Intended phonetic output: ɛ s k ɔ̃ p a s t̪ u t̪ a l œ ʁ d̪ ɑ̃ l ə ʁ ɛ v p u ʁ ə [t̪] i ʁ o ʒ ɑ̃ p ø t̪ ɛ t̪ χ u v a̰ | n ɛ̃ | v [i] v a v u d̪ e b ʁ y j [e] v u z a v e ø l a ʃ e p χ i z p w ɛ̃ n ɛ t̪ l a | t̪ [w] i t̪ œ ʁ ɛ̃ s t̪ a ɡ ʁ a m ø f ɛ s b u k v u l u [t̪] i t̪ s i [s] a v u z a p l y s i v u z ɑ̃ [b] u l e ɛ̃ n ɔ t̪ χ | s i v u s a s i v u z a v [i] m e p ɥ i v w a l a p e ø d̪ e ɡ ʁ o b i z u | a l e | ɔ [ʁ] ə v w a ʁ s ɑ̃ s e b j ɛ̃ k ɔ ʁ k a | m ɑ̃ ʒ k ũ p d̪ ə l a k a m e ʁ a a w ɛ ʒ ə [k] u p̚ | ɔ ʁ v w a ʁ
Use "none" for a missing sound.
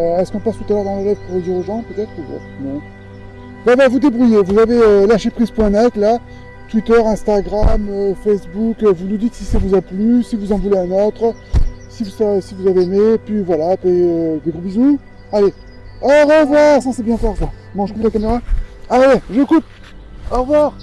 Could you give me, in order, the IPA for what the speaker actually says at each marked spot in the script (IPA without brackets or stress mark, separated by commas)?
d̪, a, e, w, d̪, s, v, e, ʁ, k